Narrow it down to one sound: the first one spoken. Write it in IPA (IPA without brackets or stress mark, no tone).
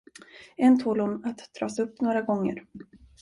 ɛ